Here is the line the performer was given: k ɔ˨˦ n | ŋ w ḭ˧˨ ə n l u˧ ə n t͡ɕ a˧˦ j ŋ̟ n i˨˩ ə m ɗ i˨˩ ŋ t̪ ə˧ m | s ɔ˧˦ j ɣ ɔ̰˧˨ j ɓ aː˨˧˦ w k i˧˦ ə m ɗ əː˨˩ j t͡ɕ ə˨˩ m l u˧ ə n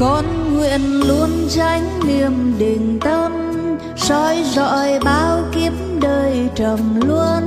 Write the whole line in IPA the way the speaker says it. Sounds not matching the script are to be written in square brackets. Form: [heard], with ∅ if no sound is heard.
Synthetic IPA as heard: k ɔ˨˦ n | ŋ w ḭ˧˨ ə n l u˧ ə n t͡ɕ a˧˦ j ŋ̟ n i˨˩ ə m ɗ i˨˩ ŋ t̪ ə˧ m | s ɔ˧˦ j [z] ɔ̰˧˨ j ɓ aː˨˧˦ w k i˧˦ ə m ɗ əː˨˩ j t͡ɕ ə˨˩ m l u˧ ə n